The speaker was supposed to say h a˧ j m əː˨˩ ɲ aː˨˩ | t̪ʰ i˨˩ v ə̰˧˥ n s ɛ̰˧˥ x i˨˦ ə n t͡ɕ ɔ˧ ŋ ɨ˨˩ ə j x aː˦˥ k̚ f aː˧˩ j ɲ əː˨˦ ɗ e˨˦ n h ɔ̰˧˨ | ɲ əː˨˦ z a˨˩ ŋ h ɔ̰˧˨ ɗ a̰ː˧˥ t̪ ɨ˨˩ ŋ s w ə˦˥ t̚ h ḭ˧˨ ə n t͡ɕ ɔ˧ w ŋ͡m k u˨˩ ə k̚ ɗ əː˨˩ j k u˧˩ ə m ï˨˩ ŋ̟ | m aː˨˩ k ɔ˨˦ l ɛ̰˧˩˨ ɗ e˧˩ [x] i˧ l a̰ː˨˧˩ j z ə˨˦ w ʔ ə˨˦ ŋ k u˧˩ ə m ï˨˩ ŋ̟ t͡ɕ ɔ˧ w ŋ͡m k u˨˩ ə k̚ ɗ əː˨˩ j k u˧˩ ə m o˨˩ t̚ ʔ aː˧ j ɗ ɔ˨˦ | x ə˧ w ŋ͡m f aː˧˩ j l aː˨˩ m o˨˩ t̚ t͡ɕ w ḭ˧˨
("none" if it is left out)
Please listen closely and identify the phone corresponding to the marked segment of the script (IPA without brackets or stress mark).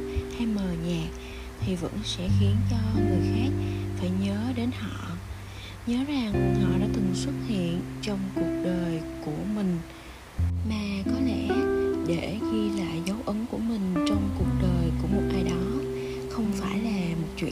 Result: x